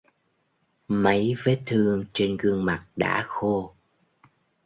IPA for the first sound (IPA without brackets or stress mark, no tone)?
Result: m